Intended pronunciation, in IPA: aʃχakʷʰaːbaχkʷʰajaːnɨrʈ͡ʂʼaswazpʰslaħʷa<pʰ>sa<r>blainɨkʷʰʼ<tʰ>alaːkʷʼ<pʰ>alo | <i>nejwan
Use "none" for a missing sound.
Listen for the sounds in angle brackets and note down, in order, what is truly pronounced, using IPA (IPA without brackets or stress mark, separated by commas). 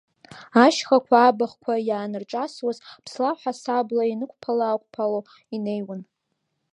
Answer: none, none, pʰ, pʰ, i